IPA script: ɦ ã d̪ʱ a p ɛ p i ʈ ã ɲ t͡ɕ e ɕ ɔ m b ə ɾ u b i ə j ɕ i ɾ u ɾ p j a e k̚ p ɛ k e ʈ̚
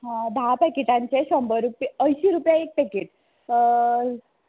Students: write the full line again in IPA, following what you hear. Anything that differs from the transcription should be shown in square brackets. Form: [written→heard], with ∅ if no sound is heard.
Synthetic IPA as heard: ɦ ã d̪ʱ a p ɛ [p→k] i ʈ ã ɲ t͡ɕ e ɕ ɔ m b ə ɾ u [b→p] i ə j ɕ i ɾ u [ɾ→∅] p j a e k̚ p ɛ k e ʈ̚

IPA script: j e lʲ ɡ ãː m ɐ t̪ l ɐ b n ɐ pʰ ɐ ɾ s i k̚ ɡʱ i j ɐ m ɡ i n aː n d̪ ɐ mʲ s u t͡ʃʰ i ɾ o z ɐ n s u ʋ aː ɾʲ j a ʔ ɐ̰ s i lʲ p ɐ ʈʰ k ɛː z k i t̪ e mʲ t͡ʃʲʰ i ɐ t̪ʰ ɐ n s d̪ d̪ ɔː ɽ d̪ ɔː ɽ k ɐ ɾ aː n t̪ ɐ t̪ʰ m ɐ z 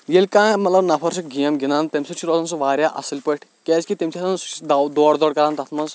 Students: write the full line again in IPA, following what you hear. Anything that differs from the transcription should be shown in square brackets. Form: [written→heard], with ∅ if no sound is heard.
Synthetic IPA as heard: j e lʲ [ɡ→k] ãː m ɐ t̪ l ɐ b n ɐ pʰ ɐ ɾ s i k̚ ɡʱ i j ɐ m ɡ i n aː n [d̪→t̪] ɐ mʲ s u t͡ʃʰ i ɾ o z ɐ n s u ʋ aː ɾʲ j a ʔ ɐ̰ s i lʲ p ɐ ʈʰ k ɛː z k i t̪ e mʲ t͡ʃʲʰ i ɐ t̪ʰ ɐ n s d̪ d̪ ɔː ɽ d̪ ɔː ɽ k ɐ ɾ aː n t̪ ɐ t̪ʰ m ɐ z

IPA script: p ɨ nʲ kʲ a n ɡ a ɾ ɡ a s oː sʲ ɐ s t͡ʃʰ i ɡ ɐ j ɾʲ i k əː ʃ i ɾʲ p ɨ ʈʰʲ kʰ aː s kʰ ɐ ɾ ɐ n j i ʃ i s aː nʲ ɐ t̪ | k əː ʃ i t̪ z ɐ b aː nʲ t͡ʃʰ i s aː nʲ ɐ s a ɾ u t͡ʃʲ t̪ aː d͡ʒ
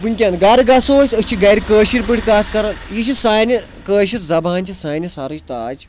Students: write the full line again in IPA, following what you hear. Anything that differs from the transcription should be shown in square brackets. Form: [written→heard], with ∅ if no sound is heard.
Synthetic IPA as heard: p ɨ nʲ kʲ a n ɡ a ɾ ɡ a s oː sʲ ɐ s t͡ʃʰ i ɡ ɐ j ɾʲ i k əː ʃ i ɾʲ p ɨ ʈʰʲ [kʰ→k] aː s [kʰ→k] ɐ ɾ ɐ n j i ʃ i s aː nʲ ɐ [t̪→∅] | k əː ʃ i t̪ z ɐ b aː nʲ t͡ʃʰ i s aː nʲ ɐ s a ɾ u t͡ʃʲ t̪ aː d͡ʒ

